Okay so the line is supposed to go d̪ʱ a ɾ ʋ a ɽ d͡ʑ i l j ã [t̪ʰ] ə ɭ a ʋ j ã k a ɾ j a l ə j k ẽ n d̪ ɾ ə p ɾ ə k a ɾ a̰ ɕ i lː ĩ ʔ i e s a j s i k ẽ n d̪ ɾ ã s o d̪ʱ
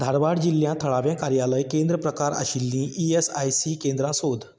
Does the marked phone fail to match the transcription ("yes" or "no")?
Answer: no